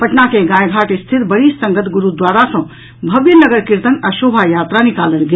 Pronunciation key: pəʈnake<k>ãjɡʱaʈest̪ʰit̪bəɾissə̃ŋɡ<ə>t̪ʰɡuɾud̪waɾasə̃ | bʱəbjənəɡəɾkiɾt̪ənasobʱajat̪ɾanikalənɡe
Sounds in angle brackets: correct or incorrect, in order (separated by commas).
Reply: incorrect, correct